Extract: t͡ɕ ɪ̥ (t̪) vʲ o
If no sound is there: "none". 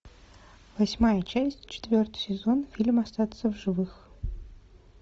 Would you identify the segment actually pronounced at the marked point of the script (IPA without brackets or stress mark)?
t̪